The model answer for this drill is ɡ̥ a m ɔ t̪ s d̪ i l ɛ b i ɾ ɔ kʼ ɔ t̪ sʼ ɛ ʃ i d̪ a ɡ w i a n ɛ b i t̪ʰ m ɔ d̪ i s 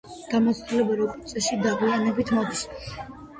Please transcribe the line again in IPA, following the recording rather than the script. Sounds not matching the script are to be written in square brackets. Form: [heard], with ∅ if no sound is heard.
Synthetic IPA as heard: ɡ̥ a m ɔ t̪ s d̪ i l ɛ b [a] ɾ ɔ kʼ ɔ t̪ sʼ ɛ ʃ i d̪ a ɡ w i a n ɛ b i t̪ʰ m ɔ d̪ i s